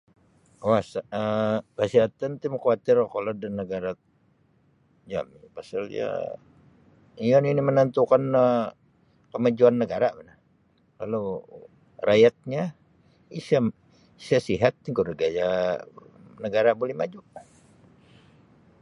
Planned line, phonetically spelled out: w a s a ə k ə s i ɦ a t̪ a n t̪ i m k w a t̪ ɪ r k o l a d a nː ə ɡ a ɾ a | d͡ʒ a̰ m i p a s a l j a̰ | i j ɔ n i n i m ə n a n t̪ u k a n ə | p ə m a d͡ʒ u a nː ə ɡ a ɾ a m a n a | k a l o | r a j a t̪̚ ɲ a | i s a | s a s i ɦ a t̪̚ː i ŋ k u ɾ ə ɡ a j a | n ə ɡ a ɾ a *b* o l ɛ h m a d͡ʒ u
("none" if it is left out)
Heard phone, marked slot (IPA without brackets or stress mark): b